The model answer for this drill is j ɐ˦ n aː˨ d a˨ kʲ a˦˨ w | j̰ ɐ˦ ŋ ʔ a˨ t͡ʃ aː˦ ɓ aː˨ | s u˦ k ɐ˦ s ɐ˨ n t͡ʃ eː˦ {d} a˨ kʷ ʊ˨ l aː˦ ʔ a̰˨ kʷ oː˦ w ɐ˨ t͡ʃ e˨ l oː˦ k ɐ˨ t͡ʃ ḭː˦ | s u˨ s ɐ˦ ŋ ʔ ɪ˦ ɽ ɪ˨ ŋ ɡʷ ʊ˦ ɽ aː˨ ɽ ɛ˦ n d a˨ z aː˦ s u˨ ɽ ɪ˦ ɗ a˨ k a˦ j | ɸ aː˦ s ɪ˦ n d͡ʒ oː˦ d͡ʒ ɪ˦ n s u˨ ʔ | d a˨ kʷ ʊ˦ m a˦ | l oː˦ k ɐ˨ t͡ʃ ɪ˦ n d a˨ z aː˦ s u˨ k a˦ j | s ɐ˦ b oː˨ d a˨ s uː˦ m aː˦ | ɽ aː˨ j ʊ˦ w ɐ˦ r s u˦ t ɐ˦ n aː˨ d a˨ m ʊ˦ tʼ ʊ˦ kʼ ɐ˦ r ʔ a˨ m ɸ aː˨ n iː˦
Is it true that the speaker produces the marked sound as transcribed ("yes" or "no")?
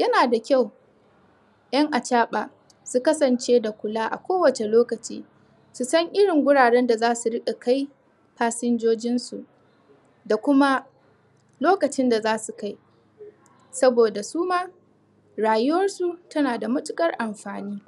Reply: yes